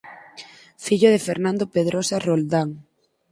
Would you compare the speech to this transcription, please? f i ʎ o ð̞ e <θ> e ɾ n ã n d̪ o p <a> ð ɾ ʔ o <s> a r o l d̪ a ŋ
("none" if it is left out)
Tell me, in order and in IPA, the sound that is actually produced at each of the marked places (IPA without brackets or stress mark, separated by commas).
f, e, s